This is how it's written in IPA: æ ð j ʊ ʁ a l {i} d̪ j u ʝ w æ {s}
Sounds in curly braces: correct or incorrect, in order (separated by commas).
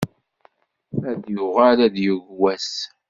incorrect, correct